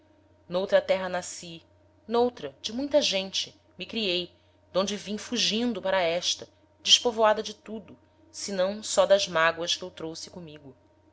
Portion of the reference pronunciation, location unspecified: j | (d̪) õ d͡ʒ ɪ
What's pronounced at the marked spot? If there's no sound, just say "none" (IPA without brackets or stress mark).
d̪